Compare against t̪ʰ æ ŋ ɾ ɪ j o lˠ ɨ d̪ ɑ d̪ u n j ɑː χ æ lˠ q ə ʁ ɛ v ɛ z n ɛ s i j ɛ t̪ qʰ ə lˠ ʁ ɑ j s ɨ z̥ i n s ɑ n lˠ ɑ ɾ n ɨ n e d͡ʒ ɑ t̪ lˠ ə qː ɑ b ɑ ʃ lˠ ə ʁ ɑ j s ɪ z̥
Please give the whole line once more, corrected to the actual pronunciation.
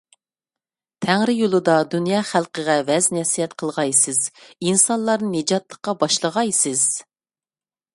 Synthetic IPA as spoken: t̪ʰ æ ŋ ɾ ɪ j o lˠ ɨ d̪ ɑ d̪ u n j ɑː χ æ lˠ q ə ʁ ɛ v ɛ z n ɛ s i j ɛ t̪ qʰ ə lˠ ʁ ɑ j s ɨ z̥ i n s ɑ n lˠ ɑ ɾ n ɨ n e d͡ʒ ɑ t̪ lˠ ə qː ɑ b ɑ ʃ lˠ ə ʁ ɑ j s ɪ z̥